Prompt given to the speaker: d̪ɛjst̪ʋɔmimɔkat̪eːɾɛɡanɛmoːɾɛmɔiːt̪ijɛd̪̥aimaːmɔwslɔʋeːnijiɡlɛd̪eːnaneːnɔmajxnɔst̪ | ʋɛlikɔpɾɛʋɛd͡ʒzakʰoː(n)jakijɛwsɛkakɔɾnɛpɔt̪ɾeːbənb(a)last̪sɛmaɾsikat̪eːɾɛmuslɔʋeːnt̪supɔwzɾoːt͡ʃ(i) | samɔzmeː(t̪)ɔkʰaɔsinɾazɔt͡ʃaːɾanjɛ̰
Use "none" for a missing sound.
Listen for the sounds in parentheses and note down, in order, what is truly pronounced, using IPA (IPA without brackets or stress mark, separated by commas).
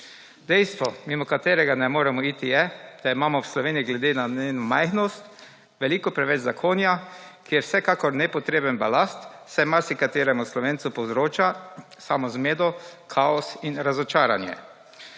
n, a, a, d̪